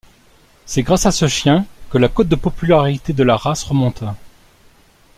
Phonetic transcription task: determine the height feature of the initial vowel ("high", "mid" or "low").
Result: mid